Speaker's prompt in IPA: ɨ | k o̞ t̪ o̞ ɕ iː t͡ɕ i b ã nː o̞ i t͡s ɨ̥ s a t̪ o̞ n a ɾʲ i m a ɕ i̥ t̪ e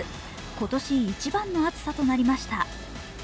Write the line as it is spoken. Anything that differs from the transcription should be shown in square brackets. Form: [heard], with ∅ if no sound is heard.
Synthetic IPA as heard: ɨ | k o̞ t̪ o̞ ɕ iː t͡ɕ i b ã nː o̞ [a] t͡s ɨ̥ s a t̪ o̞ n a ɾʲ i m a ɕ i̥ t̪ [a]